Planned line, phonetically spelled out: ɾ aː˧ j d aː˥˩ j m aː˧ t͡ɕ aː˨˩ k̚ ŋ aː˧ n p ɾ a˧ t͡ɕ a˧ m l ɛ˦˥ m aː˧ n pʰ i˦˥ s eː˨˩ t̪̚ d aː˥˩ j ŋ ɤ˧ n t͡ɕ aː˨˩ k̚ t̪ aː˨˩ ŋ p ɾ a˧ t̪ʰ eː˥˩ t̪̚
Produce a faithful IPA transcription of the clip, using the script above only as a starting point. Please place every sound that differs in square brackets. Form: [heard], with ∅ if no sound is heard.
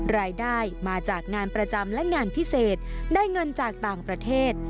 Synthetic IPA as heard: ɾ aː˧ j d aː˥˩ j m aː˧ t͡ɕ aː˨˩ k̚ ŋ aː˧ n p ɾ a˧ t͡ɕ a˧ m l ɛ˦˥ [ŋ] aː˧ n pʰ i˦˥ s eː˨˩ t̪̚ d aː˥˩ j ŋ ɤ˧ n t͡ɕ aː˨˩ k̚ t̪ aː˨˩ ŋ p ɾ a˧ t̪ʰ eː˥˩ t̪̚